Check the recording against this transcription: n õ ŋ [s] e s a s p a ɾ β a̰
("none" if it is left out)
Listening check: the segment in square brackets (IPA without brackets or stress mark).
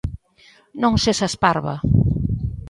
s